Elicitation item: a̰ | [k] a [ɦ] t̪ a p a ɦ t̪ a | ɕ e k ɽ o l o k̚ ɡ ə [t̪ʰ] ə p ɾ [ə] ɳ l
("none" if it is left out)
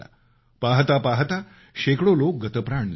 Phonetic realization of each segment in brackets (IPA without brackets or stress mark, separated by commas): p, ɦ, t̪, a